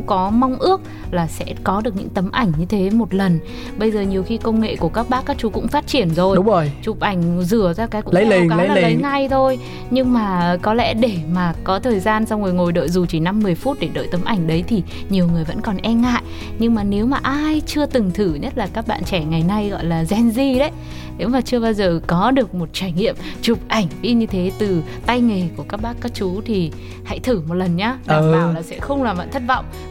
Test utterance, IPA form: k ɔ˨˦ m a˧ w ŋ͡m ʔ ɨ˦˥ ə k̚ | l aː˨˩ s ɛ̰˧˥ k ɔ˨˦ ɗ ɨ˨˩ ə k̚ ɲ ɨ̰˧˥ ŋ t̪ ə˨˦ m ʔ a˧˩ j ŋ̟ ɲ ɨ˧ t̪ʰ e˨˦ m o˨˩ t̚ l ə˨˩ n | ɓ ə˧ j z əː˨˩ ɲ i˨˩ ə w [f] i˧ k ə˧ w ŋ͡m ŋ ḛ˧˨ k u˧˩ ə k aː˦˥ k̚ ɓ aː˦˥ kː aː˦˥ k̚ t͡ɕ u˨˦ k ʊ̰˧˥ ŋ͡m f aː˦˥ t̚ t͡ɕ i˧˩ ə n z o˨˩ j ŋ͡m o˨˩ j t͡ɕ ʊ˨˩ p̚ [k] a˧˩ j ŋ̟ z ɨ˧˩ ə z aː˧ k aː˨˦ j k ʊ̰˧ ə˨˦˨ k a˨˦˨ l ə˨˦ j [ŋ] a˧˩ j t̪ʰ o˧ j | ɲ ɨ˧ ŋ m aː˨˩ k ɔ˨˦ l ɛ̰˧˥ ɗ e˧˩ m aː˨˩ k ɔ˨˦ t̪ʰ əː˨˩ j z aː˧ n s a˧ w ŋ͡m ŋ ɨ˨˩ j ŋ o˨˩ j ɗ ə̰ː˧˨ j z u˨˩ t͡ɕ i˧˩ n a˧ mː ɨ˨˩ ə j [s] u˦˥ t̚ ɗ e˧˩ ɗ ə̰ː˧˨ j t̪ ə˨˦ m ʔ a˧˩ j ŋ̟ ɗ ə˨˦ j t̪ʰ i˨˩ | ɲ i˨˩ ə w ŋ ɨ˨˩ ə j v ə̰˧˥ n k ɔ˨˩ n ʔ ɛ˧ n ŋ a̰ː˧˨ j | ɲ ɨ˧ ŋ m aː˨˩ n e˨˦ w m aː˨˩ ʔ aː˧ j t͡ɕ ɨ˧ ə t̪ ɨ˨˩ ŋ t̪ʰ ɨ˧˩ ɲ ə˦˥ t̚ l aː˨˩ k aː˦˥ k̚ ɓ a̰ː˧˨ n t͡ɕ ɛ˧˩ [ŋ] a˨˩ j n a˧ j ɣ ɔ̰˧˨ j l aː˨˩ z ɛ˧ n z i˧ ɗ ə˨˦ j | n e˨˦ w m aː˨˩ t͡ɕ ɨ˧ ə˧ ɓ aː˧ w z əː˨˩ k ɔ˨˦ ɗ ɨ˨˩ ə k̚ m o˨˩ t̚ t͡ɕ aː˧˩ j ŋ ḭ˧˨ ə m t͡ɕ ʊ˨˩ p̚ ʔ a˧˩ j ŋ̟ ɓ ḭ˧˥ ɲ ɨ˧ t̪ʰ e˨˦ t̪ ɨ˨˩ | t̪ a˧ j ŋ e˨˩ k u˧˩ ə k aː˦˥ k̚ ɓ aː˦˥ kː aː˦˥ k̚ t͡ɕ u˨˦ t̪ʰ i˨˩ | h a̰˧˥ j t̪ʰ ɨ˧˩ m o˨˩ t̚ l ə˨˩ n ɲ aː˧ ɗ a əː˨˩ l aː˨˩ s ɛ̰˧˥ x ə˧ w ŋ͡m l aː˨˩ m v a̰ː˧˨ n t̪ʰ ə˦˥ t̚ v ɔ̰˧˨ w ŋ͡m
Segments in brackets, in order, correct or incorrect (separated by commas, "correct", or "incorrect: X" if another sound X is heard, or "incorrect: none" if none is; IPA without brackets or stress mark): incorrect: x, incorrect: ʔ, correct, incorrect: f, correct